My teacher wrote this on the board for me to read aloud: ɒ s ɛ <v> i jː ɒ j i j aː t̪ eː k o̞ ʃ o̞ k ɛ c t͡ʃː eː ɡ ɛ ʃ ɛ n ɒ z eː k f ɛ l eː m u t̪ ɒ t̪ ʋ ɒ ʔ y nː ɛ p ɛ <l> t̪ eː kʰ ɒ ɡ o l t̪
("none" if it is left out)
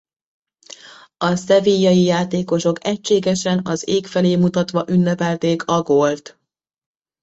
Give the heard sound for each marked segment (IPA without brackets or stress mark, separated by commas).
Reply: v, l